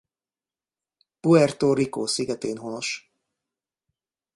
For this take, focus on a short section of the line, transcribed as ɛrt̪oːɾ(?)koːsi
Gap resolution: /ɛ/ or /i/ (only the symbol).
i